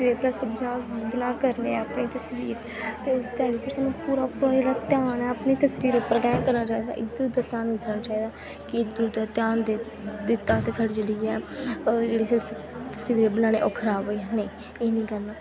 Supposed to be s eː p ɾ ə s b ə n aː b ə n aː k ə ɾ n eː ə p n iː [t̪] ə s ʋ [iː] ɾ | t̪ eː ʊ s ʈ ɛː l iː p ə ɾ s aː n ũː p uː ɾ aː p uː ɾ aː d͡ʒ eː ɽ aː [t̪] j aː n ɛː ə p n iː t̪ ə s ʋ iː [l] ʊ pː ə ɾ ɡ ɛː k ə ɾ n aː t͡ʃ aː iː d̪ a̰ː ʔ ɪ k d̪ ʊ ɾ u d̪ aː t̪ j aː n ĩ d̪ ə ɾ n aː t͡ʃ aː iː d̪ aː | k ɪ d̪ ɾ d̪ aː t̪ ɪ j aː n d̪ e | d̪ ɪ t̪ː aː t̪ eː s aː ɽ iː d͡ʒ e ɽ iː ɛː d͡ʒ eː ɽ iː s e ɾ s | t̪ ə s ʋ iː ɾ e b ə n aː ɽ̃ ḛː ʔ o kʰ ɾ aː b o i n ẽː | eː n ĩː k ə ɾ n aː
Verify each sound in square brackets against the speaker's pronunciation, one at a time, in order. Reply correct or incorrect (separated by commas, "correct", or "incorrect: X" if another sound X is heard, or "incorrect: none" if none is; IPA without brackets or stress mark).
correct, correct, correct, incorrect: ɾ